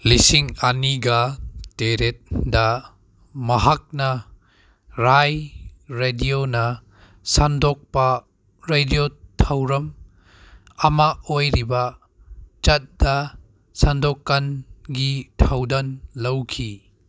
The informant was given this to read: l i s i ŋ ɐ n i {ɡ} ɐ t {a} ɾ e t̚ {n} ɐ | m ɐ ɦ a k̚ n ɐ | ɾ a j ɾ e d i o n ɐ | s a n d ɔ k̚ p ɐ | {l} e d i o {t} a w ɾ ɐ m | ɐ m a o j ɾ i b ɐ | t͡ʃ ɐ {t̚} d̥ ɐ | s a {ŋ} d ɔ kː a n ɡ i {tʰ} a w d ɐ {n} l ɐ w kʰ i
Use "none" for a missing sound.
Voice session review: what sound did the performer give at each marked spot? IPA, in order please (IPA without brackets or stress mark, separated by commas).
ɡ, e, d, ɾ, tʰ, t̚, n, tʰ, n